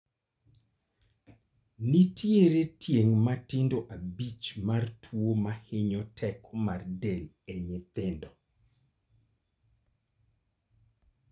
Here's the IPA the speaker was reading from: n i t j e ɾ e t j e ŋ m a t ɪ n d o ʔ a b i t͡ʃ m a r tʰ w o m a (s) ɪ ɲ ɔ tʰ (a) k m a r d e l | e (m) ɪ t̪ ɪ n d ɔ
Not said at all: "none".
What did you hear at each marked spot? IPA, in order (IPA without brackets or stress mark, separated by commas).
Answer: h, ɛ, ɲ